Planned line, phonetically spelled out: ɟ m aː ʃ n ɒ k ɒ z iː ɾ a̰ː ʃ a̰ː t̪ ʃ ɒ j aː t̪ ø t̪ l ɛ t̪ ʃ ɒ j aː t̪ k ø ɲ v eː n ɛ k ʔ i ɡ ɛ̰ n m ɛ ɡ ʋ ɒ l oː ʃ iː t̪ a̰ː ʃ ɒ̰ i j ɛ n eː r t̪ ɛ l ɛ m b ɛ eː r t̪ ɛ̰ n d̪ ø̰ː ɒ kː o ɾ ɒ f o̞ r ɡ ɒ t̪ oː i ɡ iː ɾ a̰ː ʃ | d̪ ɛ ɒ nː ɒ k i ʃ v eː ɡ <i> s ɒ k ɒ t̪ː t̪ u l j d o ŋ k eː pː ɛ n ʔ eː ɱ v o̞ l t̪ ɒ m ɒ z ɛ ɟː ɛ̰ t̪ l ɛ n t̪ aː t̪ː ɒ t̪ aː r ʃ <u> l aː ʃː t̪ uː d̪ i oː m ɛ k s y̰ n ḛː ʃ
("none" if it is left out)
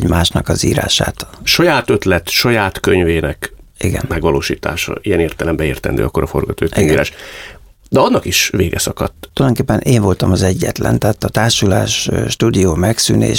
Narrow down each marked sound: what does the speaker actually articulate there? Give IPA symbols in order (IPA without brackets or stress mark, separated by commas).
ɛ, u